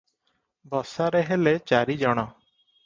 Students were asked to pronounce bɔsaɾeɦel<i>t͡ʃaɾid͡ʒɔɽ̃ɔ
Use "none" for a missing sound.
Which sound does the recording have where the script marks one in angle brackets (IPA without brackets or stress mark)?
e